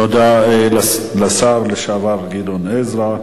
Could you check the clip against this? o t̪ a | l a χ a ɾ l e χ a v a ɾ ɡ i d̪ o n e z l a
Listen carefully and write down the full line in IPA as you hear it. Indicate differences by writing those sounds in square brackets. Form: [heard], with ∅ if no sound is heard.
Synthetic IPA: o [d̪] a | l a [s] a ɾ l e [ʃ] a v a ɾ ɡ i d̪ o n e z [ɾ] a